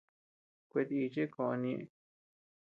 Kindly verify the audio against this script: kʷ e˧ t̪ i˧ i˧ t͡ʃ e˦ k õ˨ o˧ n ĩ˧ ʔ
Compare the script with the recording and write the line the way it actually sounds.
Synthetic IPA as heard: kʷ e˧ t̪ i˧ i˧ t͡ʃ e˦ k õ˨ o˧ n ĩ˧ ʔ

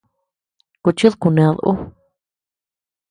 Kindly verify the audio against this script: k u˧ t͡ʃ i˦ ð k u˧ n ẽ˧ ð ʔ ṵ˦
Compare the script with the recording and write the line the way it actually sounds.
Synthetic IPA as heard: k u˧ t͡ʃ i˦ ð k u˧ n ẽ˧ ð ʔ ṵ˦

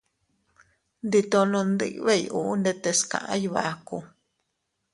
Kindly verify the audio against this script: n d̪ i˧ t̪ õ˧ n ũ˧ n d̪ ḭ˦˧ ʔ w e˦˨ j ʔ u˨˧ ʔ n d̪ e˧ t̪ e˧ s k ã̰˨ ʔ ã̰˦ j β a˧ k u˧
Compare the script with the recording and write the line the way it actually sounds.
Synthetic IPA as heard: n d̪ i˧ t̪ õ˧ n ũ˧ n d̪ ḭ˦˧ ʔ β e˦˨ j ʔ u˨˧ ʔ n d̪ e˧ t̪ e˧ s k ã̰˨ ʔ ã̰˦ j β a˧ k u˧

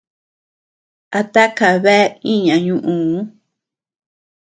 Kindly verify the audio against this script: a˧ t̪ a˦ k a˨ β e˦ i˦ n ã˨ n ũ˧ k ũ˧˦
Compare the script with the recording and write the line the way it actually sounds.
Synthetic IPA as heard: a˧ t̪ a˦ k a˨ β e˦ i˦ ɲ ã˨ ɲ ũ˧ ʔ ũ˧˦

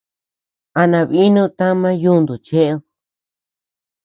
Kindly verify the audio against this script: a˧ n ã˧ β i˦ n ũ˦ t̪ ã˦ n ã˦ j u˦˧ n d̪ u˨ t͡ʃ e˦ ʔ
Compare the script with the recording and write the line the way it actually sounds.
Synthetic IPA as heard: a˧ n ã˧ β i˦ n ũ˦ t̪ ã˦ m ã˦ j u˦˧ n d̪ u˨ t͡ʃ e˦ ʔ

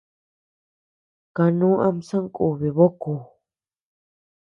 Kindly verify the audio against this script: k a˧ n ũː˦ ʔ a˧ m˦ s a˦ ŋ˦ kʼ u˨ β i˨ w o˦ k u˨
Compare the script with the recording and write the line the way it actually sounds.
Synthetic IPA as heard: k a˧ n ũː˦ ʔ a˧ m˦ s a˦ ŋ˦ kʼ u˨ β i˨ β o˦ k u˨

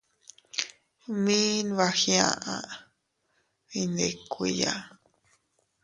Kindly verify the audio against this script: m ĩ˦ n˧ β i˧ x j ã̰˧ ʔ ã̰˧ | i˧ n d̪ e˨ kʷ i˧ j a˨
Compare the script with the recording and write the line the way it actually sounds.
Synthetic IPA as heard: m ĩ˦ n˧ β a˧ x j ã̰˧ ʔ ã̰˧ | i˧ n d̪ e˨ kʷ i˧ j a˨

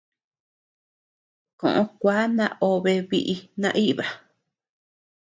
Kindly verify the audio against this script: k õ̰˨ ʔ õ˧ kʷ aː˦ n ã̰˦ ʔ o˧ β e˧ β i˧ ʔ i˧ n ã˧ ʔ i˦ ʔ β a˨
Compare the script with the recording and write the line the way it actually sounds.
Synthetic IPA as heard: k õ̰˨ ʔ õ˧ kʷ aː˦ n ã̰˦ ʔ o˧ β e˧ β i˧ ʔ i˧ n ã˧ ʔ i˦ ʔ β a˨

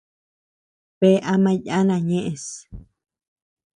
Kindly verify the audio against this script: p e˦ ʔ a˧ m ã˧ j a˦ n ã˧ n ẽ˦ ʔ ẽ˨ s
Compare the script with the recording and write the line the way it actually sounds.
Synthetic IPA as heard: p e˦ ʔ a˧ m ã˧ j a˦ n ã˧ ɲ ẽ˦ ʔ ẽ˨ s

